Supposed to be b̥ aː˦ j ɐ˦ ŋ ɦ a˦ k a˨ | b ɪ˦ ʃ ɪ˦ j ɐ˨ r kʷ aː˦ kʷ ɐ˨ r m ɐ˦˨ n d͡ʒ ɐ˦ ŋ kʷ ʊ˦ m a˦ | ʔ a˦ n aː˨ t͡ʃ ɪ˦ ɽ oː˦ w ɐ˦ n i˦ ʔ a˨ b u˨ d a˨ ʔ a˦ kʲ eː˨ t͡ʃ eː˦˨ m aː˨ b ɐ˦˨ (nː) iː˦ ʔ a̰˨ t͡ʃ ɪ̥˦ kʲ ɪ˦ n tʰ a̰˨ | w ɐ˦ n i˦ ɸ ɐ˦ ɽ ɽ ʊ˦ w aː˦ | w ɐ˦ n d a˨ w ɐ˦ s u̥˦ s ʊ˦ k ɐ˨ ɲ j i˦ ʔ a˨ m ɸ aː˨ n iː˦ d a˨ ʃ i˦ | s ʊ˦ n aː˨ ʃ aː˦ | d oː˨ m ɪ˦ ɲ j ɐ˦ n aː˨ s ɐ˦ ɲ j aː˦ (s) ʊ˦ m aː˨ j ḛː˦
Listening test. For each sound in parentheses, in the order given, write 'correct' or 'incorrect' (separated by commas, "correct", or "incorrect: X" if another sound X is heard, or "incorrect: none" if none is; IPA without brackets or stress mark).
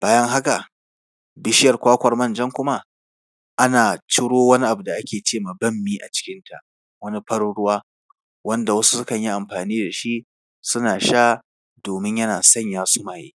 incorrect: mː, correct